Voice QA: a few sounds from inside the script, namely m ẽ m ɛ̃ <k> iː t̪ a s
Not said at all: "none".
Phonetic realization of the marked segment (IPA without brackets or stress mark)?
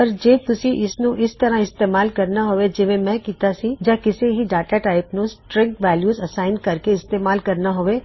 k